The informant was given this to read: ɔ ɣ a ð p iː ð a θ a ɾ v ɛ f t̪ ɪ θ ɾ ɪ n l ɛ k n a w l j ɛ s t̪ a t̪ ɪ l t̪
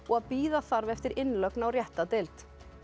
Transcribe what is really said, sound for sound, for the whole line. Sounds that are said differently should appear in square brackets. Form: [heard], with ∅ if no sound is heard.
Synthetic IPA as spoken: ɔ ɣ a ð p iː ð a θ a ɾ v ɛ f t̪ ɪ [∅] ɾ ɪ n l [œ] k n a w [r] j ɛ [h] t̪ a t̪ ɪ l t̪